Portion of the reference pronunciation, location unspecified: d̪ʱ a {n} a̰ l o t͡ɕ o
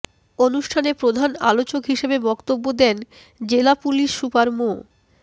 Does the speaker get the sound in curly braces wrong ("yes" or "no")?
no